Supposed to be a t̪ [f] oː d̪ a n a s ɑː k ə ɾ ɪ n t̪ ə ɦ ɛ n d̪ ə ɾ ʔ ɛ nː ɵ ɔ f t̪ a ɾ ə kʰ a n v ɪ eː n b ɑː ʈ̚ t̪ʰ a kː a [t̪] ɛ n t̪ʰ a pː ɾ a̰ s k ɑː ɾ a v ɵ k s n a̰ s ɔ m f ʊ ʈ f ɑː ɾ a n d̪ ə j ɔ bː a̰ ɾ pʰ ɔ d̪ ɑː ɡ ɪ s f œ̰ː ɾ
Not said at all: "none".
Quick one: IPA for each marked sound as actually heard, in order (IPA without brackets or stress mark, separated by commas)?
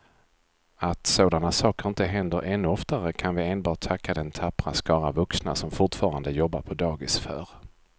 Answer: s, d̪